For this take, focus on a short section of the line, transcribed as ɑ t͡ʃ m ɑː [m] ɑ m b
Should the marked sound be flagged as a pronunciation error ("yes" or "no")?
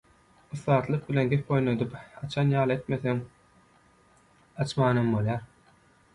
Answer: yes